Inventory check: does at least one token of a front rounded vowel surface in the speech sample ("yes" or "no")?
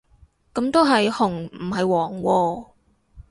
no